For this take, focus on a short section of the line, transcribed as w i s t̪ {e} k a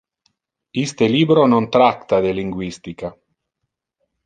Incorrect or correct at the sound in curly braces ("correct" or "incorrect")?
incorrect